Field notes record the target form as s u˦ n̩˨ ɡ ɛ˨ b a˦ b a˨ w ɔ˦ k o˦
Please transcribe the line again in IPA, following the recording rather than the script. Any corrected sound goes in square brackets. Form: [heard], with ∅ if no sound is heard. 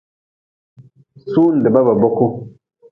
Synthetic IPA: s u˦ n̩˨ [d] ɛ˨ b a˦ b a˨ [b] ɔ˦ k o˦